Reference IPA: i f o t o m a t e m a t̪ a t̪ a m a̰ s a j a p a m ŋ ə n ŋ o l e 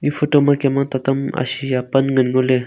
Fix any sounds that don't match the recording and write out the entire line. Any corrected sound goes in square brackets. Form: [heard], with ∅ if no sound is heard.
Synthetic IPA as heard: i f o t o m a [k] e m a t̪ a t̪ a m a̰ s [i] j a p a [n] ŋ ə n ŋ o l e